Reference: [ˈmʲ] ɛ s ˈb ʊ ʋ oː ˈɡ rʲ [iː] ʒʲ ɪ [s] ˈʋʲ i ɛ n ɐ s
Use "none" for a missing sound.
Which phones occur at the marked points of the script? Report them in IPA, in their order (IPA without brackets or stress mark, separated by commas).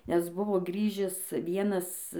nʲ, iː, s